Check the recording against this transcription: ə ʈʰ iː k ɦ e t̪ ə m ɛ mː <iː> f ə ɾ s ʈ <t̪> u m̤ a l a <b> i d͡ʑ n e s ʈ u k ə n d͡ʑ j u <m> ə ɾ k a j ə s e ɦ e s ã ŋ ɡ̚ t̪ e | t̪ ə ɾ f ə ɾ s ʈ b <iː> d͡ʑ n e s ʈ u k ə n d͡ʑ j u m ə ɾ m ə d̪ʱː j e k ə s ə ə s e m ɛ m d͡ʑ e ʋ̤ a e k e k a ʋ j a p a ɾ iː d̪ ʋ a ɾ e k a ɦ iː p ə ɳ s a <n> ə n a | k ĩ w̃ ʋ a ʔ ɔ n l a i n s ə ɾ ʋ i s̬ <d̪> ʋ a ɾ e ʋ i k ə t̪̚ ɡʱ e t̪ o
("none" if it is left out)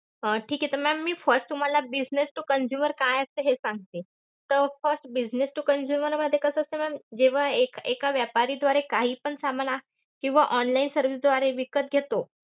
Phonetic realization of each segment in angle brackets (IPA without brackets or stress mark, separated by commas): iː, t̪, b, m, i, m, d̪